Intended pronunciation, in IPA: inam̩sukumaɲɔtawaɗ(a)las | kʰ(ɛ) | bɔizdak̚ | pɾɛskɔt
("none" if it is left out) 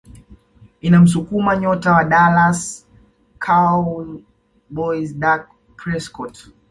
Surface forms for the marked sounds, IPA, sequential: a, a

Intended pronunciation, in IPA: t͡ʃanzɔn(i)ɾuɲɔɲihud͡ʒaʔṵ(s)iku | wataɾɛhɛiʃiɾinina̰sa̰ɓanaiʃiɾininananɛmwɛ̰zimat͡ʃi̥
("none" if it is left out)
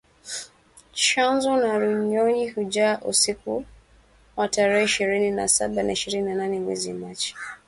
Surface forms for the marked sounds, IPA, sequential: a, s

